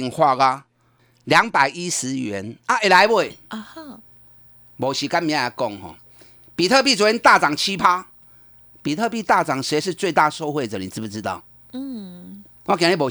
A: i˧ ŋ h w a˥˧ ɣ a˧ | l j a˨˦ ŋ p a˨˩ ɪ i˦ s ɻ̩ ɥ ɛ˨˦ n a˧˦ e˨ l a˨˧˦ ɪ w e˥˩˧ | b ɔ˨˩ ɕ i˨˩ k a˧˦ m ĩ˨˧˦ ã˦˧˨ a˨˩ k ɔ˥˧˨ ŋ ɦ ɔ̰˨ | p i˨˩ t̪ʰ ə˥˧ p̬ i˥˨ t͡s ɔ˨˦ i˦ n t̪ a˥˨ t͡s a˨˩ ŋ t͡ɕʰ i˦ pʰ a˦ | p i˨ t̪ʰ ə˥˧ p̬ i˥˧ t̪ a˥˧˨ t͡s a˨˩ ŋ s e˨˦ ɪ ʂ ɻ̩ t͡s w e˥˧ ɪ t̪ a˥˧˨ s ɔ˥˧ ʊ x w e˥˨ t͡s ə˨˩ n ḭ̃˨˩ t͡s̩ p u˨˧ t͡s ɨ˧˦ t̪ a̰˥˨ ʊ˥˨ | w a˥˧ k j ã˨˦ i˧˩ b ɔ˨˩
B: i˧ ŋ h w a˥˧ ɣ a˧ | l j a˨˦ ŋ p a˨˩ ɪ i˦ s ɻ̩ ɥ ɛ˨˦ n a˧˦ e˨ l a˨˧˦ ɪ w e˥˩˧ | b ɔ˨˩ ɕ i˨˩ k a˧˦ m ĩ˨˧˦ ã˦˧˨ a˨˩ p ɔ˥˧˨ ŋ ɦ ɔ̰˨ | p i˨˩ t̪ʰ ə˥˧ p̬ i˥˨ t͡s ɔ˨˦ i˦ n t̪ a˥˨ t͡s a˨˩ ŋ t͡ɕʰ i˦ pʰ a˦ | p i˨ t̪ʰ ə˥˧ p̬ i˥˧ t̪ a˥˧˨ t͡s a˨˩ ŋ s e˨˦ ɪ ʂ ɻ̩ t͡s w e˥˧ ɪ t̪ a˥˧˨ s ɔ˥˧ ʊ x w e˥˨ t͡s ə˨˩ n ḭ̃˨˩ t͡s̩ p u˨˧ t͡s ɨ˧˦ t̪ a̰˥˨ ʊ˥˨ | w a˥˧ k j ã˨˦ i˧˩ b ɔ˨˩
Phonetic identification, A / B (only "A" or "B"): A